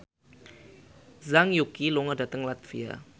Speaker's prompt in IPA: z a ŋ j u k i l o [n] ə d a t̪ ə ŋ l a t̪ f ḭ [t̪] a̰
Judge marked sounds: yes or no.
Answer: no, no

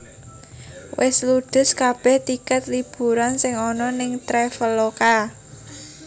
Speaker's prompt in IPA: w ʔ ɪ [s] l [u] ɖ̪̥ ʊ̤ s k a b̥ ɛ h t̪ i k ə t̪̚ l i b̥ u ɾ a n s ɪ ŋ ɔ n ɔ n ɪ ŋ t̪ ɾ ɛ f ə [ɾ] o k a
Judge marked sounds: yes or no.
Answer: yes, yes, no

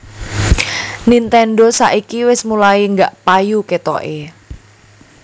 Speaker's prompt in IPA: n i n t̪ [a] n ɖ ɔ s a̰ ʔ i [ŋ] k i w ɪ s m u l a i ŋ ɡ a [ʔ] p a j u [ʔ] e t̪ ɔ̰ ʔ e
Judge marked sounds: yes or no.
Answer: no, no, yes, no

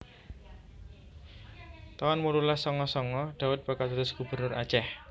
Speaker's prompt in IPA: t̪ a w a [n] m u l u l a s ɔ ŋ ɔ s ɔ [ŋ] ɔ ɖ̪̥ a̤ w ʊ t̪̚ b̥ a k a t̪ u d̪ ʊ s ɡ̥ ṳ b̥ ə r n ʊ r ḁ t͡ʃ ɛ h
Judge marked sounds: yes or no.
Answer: yes, yes

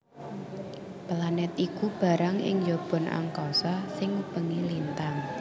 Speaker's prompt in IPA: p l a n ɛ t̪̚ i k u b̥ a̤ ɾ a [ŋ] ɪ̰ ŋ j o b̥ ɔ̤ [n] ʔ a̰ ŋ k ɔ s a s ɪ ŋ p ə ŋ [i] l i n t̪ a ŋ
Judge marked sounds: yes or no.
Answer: yes, yes, yes

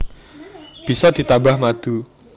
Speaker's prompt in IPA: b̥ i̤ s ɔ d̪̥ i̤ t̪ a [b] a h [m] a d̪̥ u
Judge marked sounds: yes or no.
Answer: yes, yes

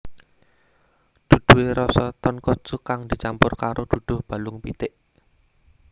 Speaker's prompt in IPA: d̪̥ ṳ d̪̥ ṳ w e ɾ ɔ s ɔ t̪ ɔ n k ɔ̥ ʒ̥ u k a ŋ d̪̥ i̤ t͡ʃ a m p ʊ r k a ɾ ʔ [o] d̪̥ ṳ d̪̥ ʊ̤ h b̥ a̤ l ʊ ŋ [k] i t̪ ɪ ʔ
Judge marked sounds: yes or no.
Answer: yes, no

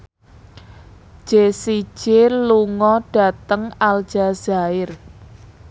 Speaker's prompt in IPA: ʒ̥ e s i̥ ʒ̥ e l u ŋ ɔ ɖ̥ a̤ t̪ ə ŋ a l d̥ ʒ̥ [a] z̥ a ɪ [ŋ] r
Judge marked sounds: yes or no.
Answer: yes, no

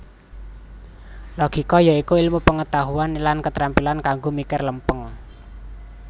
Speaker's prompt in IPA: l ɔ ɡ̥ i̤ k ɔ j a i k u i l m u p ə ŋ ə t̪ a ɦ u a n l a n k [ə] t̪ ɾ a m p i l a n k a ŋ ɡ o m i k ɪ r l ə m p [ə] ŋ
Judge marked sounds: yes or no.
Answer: yes, yes

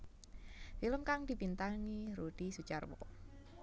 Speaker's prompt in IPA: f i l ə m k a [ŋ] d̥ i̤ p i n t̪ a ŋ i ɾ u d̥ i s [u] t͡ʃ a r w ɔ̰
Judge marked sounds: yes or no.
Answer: yes, yes

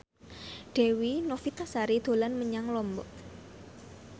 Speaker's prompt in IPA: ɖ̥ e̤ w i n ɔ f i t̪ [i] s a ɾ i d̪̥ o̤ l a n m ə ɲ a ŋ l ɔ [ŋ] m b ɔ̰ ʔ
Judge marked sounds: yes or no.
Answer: no, no

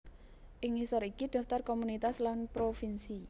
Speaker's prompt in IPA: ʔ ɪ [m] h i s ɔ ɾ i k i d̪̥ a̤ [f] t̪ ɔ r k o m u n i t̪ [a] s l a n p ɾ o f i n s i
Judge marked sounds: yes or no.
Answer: no, yes, yes

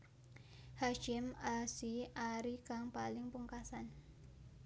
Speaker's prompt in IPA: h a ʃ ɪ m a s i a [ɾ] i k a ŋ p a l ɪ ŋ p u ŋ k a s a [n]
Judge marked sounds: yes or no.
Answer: yes, yes

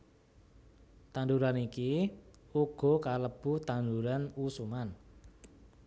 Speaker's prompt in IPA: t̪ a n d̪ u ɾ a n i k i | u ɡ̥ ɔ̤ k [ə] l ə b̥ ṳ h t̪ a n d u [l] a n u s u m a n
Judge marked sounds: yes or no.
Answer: no, no

